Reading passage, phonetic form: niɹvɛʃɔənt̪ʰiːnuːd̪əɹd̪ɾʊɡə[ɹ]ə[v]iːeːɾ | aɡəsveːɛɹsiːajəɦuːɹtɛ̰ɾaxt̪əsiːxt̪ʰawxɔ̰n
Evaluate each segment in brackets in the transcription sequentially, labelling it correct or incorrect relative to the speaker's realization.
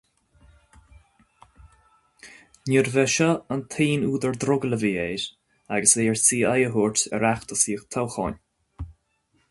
incorrect: l, correct

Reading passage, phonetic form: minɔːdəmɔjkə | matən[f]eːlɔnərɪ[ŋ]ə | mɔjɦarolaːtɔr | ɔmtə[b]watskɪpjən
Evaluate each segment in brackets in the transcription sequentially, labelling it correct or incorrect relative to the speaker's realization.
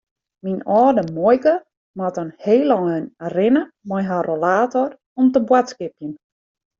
incorrect: h, incorrect: n, correct

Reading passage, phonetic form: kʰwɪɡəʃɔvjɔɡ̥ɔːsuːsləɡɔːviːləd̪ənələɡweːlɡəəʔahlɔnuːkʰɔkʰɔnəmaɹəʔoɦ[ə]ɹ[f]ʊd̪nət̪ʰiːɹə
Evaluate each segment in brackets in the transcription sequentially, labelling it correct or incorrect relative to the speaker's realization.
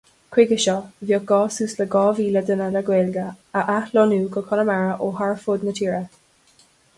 incorrect: a, correct

